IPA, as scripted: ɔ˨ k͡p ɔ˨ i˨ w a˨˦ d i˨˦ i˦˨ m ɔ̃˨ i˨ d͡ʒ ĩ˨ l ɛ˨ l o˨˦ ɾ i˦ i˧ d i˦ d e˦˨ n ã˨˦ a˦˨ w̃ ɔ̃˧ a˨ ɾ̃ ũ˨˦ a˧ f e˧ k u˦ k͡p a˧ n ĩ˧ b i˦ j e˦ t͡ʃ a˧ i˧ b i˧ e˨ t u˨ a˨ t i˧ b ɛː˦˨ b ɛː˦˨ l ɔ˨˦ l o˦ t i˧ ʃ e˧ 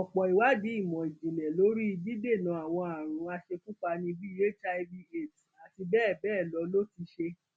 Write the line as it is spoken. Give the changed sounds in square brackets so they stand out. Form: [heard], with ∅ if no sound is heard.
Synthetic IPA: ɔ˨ k͡p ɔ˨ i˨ w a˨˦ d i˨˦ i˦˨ m ɔ̃˨ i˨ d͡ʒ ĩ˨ l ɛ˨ l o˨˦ ɾ i˦ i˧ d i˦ d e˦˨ n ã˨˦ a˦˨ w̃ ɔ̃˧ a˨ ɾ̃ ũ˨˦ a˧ [ʃ] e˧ k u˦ k͡p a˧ n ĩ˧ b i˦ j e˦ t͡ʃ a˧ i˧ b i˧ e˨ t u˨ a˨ t i˧ b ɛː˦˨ b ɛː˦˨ l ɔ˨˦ l o˦ t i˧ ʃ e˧